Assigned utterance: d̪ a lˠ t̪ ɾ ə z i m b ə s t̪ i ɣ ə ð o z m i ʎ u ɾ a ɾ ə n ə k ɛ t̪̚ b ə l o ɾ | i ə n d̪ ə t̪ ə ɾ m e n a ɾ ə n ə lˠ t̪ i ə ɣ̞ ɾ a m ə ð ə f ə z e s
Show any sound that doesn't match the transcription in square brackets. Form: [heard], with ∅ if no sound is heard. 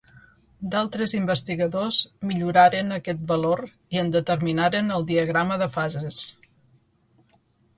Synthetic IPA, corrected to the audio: d̪ a lˠ t̪ ɾ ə z i m b ə s t̪ i ɣ ə ð o z m i ʎ u ɾ a ɾ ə n ə k ɛ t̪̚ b ə l o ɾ | i ə n d̪ ə t̪ ə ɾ m [i] n a ɾ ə n ə lˠ [d̪] i ə ɣ̞ ɾ a m ə ð ə f [a] z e s